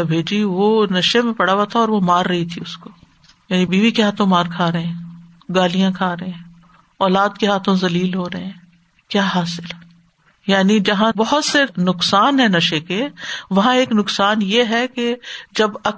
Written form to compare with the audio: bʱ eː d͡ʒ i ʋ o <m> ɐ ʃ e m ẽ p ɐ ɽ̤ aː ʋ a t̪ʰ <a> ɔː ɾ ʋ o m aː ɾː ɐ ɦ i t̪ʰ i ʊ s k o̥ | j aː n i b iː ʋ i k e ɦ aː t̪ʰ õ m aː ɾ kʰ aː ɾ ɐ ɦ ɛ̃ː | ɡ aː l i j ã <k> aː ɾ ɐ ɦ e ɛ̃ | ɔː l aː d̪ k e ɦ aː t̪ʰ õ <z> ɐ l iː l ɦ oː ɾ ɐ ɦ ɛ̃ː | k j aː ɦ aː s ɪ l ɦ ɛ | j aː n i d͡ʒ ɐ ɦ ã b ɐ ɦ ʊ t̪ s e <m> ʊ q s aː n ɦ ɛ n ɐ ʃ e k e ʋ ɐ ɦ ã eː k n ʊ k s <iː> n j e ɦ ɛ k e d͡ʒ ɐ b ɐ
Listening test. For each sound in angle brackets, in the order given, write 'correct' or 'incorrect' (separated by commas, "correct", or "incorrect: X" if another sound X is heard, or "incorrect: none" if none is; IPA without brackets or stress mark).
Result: incorrect: n, correct, incorrect: kʰ, correct, incorrect: n, incorrect: aː